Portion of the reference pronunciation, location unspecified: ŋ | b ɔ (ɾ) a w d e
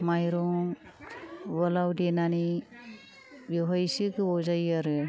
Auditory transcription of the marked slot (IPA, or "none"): l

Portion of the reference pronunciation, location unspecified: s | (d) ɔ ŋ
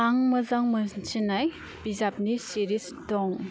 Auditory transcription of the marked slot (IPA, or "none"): d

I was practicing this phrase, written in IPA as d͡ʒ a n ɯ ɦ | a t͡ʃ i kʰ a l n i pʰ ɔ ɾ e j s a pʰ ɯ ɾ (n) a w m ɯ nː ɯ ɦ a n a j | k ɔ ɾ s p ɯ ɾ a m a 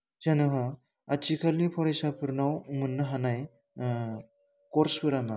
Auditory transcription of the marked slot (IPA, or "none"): n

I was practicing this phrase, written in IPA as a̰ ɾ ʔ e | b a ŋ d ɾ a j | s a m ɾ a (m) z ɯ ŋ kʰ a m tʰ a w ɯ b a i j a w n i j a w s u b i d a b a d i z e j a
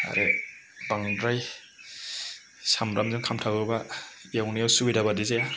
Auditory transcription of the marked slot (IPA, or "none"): m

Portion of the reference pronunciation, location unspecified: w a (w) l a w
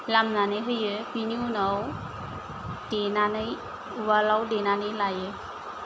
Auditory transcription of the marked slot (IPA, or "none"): none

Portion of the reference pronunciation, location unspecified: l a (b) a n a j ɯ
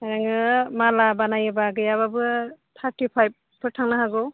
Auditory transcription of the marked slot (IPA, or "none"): b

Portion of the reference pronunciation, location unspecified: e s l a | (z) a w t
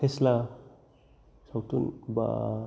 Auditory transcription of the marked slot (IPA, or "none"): s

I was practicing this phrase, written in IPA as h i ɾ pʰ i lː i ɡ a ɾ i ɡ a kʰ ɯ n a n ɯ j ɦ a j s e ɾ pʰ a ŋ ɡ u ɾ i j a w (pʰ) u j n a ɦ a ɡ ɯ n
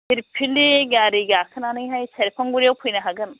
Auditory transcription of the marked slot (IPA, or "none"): pʰ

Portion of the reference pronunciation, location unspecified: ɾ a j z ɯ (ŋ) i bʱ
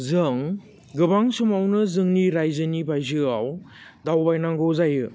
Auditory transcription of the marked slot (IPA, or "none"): n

